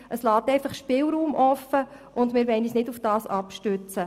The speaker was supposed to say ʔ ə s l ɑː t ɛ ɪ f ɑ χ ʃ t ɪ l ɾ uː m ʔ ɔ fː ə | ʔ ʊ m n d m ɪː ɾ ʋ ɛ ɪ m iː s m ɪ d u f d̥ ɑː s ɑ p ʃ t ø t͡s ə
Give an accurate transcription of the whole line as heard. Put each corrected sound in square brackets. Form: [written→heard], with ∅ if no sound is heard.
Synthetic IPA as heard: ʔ ə s l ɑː t ɛ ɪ f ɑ χ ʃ [t→p] ɪ l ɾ uː m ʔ ɔ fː ə | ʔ ʊ [m→∅] n d m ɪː ɾ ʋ ɛ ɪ [m→n] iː s [m→n] ɪ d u f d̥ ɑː s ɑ p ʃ t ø t͡s ə